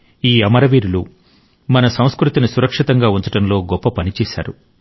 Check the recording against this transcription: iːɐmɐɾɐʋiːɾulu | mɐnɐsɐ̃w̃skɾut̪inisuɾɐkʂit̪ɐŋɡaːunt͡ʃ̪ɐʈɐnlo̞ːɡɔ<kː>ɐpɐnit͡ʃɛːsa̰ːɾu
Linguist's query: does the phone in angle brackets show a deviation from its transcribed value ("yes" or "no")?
yes